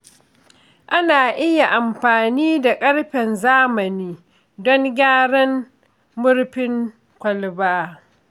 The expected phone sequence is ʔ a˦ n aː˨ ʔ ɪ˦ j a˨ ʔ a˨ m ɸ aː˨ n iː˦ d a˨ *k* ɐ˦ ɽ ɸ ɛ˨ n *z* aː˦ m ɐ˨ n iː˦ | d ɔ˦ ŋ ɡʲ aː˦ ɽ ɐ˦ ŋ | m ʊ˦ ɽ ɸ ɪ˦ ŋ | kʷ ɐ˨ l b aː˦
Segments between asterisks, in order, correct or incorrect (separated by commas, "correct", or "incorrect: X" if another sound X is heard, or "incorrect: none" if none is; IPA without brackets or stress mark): incorrect: kʼ, correct